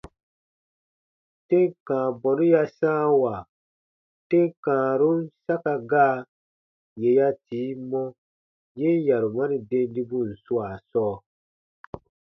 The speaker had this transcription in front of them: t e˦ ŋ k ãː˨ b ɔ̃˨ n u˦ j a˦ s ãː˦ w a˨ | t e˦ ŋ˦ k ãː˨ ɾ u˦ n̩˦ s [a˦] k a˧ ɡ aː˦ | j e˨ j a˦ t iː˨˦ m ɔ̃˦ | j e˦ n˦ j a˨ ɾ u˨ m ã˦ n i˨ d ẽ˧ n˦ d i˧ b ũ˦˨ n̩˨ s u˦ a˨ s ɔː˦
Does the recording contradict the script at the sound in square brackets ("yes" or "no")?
no